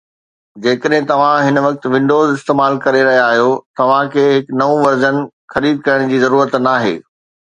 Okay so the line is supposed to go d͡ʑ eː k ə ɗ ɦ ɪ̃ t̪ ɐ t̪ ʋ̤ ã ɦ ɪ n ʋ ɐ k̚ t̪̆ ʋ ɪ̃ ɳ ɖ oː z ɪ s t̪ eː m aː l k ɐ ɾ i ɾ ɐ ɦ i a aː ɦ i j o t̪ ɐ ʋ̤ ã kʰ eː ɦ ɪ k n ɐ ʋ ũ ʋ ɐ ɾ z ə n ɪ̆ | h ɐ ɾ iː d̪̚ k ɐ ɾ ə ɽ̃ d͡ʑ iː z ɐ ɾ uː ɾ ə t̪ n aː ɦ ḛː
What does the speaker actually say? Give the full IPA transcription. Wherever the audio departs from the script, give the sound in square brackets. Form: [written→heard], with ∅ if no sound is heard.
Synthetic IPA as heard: d͡ʑ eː k ə ɗ ɦ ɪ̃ t̪ ɐ [t̪→∅] ʋ̤ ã ɦ ɪ n ʋ ɐ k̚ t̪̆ ʋ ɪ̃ ɳ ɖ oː z ɪ s t̪ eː m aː l k ɐ ɾ [i→e] ɾ ɐ ɦ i a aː ɦ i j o t̪ ɐ ʋ̤ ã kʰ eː ɦ ɪ k n ɐ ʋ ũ ʋ ɐ ɾ z ə n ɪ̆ | [h→x] ɐ ɾ iː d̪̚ k ɐ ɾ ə ɽ̃ d͡ʑ iː z ɐ ɾ uː ɾ ə t̪ n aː ɦ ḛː